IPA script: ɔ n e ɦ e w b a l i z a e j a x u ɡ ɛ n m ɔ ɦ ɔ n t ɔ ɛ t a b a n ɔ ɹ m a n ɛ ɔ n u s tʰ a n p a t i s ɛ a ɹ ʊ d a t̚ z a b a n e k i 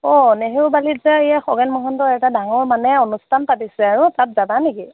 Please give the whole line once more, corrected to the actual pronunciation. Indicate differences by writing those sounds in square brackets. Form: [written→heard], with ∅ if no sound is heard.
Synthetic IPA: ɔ n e ɦ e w b a l i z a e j a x [u→ɔ] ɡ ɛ n m ɔ ɦ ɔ n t ɔ ɛ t a [b→d] a [n→ŋ] ɔ ɹ m a n ɛ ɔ n u s tʰ a n p a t i s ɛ a ɹ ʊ [d→t] a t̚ z a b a n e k i